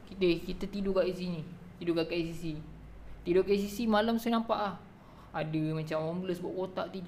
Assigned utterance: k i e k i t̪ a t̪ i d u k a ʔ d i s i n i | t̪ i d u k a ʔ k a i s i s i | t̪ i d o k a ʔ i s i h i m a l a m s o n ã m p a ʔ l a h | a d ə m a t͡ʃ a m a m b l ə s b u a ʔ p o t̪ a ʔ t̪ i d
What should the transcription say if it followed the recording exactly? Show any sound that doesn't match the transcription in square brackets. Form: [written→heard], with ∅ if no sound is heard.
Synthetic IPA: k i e k i t̪ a t̪ i d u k a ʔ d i s i n i | t̪ i d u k a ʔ k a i s i s i | t̪ i d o k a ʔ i s i [h→s] i m a l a m s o n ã m p a ʔ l a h | a d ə m a t͡ʃ a m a m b l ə s b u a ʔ [p→k] o t̪ a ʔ t̪ i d